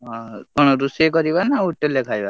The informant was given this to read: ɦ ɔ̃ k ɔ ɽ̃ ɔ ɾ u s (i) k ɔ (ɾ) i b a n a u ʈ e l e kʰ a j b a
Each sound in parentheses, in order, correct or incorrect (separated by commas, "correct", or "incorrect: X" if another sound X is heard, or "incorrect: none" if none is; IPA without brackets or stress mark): incorrect: e, correct